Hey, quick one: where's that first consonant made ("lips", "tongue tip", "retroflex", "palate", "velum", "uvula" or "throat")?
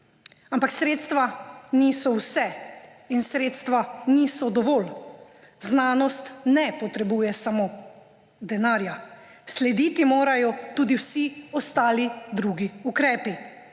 lips